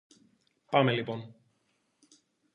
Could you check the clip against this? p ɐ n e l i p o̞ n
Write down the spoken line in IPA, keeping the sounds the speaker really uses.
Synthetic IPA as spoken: p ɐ m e l i p o̞ n